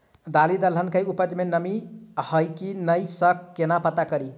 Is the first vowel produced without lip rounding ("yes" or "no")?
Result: yes